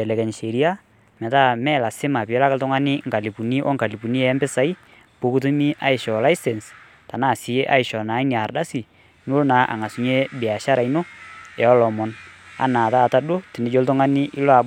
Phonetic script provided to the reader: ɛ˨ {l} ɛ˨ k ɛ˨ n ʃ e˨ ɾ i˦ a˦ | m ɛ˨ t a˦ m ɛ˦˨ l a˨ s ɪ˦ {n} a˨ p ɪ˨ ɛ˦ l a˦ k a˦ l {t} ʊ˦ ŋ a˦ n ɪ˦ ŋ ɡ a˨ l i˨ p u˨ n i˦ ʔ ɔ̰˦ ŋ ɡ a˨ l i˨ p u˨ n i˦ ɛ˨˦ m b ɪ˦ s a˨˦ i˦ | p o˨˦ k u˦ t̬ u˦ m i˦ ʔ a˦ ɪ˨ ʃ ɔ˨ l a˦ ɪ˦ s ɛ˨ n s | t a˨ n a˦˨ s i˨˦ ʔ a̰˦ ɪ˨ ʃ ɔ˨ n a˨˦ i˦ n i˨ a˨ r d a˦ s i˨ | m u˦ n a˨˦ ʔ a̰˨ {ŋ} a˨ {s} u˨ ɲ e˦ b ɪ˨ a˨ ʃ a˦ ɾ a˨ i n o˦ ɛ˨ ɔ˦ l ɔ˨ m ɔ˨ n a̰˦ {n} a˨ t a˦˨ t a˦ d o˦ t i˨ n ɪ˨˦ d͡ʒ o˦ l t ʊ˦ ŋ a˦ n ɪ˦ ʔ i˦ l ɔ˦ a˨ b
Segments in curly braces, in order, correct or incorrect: correct, incorrect: m, correct, correct, correct, correct

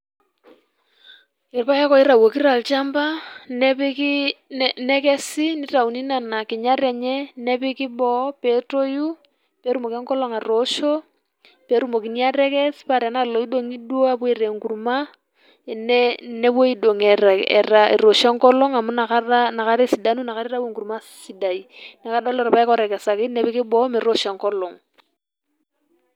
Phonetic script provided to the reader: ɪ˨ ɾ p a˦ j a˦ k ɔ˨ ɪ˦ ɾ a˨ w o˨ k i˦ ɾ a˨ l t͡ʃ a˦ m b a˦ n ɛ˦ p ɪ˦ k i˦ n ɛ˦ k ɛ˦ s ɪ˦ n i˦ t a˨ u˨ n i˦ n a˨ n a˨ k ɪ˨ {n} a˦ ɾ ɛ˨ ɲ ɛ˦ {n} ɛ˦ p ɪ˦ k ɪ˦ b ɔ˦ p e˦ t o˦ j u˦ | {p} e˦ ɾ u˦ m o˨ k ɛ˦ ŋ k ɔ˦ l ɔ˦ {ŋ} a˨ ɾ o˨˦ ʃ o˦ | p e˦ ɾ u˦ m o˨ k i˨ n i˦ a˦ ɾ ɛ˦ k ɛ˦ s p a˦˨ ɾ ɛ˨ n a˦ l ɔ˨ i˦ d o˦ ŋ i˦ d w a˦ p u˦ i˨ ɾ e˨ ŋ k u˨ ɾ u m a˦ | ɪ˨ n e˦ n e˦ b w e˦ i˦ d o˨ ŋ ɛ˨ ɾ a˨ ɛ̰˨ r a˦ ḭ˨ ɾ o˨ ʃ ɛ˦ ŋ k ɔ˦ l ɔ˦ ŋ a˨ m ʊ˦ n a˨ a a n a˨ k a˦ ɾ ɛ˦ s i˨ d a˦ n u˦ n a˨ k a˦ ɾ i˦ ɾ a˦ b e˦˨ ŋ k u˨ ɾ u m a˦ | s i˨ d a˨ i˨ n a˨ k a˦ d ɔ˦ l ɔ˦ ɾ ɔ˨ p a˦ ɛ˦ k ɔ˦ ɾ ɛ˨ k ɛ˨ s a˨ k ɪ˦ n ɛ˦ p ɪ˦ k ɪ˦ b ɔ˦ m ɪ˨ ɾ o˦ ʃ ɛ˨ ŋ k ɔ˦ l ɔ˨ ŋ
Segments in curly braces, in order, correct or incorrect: incorrect: ɲ, correct, correct, correct

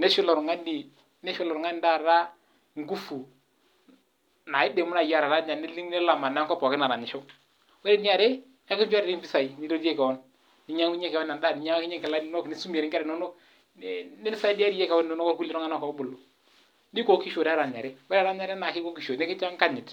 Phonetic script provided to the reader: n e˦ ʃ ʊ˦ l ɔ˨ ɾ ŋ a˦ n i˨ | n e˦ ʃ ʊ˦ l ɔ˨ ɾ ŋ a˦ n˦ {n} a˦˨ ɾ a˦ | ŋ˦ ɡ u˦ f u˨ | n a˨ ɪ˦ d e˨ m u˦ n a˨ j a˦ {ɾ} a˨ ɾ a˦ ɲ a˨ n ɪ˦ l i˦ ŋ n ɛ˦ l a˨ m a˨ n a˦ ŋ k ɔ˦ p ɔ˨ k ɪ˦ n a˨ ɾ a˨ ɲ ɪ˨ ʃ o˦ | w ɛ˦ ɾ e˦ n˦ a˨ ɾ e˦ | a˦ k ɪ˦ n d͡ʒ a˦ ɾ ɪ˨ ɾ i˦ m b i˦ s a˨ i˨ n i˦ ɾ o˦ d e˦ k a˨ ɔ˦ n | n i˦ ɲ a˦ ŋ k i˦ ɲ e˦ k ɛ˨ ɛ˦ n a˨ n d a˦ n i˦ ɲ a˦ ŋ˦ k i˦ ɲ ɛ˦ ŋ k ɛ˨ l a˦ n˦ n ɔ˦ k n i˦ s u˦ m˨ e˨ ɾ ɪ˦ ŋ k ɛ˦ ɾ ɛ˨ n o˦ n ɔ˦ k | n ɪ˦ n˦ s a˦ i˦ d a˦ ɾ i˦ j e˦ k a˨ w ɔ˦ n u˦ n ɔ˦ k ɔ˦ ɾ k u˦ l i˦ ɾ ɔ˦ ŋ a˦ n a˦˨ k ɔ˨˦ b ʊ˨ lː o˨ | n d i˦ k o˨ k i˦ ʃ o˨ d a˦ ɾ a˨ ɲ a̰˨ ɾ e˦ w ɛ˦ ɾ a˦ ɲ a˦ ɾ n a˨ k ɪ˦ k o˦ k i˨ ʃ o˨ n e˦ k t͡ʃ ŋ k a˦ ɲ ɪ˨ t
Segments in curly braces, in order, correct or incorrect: incorrect: d, correct

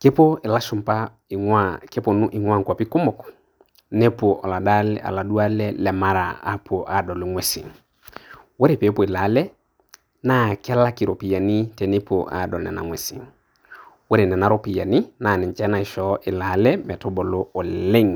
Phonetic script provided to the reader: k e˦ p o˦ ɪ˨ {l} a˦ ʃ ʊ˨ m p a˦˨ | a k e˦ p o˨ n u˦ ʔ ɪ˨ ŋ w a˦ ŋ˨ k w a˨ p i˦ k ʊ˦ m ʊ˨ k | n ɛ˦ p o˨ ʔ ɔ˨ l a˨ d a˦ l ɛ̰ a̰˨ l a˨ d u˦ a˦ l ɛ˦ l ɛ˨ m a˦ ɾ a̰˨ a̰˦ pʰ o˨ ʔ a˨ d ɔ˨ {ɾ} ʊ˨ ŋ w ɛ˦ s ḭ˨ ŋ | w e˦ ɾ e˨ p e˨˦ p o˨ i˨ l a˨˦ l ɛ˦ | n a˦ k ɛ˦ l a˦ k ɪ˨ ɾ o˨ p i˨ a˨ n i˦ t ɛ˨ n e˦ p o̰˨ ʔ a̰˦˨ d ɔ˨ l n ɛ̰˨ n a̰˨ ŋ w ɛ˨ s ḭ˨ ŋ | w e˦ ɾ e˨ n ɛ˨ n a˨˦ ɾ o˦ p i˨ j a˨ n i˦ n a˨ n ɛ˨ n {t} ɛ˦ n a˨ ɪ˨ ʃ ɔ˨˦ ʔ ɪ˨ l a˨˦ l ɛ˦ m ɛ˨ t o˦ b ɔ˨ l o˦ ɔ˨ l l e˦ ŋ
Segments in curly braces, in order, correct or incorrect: correct, incorrect: l, incorrect: t͡ʃ

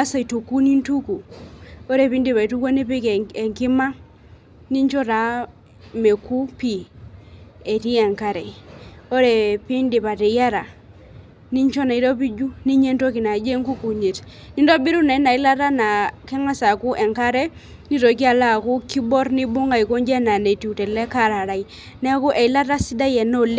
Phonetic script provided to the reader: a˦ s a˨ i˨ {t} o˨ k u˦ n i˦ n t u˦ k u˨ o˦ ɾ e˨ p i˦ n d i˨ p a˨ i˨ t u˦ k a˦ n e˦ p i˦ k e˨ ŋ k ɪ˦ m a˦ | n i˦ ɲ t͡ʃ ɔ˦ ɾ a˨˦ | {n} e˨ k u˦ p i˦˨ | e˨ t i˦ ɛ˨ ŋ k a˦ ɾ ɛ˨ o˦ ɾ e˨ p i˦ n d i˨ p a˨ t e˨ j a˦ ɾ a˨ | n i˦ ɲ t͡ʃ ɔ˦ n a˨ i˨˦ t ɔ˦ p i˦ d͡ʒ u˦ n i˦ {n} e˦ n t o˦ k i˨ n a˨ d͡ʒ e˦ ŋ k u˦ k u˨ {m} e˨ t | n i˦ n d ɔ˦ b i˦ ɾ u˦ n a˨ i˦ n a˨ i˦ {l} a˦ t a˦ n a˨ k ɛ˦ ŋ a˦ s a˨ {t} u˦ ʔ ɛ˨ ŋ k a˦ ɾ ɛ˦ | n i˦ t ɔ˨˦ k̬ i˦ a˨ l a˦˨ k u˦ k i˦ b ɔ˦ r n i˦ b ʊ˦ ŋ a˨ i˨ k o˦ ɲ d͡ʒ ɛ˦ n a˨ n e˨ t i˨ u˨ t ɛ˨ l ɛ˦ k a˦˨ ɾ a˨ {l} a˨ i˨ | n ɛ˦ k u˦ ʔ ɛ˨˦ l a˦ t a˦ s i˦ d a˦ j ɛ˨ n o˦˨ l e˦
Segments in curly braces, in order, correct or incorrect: correct, incorrect: m, incorrect: ɲ, incorrect: ɲ, correct, incorrect: k, incorrect: ɾ

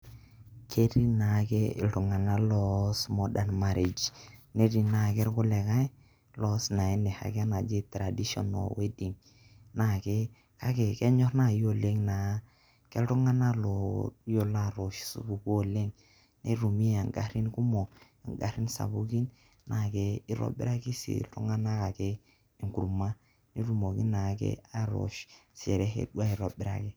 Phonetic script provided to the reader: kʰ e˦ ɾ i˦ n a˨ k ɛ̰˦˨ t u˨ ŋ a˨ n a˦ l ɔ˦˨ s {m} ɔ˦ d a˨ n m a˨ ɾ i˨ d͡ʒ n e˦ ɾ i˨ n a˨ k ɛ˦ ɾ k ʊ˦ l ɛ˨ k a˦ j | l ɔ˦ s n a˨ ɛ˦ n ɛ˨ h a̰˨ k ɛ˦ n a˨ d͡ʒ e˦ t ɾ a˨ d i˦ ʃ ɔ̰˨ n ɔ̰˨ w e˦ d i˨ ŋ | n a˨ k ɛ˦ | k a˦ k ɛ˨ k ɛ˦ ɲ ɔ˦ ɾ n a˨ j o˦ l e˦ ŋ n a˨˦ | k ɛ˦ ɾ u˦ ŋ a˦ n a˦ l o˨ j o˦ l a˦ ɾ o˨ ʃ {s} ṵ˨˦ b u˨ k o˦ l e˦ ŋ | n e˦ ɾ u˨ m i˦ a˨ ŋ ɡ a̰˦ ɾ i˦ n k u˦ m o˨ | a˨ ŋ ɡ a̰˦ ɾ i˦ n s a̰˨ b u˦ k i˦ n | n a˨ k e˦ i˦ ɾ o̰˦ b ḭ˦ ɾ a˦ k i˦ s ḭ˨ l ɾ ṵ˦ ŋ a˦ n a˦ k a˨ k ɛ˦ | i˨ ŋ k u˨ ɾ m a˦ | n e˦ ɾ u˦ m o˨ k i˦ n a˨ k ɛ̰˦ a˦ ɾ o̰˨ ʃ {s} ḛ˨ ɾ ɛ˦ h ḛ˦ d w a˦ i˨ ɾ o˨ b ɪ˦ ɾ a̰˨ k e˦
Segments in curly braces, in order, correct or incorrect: correct, correct, correct

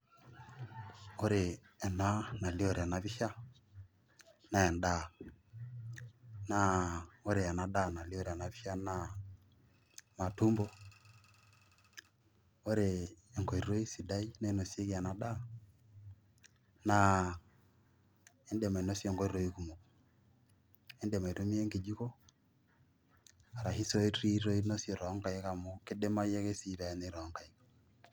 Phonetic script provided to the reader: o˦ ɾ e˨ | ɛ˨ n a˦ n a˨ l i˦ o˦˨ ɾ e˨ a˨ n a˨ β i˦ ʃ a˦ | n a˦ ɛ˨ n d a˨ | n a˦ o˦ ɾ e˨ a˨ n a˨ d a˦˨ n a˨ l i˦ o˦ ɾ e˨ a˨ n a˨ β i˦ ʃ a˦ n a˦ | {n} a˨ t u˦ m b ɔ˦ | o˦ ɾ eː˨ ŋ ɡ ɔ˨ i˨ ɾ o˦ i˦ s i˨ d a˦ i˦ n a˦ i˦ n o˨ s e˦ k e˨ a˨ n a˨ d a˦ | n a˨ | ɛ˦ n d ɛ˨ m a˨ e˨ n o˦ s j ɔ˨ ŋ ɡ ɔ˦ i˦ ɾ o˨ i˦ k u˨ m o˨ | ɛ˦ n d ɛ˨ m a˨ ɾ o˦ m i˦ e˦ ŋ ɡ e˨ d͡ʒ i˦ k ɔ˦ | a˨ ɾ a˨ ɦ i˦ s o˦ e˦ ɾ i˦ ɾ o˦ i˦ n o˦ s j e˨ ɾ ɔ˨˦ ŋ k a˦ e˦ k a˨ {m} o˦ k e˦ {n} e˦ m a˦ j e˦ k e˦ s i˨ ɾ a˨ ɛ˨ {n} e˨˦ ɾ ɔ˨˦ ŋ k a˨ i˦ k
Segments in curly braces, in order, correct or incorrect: incorrect: m, correct, incorrect: d, correct

